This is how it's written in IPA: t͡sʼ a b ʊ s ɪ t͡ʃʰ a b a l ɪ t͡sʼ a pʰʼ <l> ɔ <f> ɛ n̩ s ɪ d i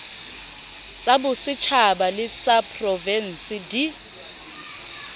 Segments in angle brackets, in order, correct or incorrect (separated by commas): incorrect, incorrect